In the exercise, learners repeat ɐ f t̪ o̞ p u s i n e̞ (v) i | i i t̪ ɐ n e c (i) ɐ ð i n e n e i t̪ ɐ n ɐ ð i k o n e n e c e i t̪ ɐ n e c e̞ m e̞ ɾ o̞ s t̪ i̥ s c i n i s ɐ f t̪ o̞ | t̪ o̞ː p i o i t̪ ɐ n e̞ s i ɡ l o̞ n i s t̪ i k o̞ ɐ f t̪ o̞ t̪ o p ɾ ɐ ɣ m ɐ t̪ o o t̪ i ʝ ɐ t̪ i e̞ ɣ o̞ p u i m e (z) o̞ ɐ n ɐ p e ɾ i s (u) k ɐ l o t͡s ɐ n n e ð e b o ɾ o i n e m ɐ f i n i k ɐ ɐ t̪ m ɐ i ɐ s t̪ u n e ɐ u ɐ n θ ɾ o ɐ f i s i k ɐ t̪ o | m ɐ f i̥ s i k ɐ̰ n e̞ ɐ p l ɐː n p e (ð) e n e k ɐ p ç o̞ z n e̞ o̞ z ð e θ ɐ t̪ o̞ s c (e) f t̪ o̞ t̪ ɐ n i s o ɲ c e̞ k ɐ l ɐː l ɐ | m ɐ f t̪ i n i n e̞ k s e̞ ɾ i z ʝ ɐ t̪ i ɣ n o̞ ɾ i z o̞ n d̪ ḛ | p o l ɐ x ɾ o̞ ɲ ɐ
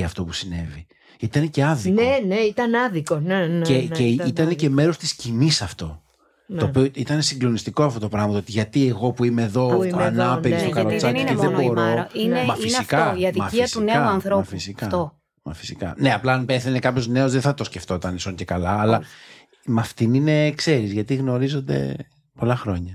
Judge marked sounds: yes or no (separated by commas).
yes, no, no, no, no, yes